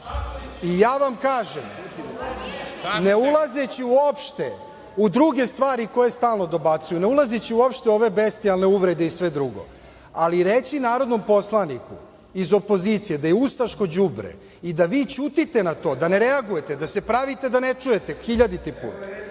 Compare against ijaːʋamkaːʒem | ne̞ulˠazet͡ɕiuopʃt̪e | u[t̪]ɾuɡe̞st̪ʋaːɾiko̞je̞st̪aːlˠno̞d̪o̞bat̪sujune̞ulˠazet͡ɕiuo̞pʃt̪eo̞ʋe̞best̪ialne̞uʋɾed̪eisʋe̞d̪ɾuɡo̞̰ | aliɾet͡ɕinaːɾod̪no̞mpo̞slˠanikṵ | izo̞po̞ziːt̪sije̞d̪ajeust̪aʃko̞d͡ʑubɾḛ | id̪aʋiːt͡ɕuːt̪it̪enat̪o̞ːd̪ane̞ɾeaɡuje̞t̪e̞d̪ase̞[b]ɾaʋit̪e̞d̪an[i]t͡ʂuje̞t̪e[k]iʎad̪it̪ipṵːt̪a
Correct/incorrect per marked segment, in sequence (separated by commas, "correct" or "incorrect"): incorrect, incorrect, incorrect, incorrect